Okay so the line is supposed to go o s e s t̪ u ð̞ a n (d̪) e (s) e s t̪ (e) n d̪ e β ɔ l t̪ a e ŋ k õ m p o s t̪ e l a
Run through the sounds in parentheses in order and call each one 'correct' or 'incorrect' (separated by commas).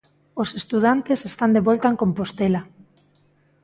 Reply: incorrect, correct, incorrect